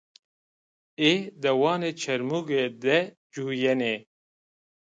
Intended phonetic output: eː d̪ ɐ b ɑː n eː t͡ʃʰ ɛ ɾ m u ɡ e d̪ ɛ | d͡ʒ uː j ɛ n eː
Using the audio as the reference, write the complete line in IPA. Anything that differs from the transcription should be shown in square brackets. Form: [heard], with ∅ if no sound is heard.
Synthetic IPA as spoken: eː d̪ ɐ [w] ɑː n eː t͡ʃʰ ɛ ɾ m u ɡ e d̪ ɛ | d͡ʒ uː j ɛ n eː